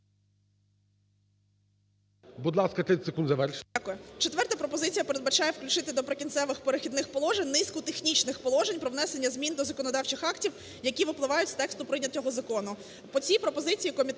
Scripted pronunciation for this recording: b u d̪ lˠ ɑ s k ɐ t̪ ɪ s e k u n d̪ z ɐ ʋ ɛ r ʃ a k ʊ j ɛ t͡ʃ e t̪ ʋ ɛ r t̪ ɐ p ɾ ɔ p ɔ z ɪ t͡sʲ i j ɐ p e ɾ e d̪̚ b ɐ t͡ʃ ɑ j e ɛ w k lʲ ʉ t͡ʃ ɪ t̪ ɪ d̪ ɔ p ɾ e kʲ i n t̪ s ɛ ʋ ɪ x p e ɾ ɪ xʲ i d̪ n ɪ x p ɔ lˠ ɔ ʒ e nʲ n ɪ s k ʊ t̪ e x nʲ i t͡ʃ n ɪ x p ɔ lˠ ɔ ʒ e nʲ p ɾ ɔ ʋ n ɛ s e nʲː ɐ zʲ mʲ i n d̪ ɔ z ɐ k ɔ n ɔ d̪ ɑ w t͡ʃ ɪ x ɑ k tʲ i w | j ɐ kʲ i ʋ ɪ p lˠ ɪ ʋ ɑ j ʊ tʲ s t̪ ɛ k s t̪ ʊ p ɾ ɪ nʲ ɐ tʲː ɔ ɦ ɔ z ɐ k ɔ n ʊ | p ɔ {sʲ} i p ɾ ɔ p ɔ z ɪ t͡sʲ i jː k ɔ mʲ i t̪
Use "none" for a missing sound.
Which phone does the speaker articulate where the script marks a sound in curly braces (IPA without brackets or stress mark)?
t͡sʲ